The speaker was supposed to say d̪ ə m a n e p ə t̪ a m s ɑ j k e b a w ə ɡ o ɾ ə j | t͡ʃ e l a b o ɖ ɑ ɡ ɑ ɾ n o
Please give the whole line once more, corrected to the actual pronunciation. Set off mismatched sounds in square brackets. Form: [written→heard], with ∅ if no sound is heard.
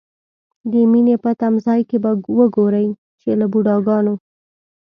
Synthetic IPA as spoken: d̪ ə m [a→i] n e p ə t̪ a m [s→z] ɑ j k e b a w ə ɡ o ɾ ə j | t͡ʃ e l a b [o→u] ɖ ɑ ɡ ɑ [ɾ→∅] n o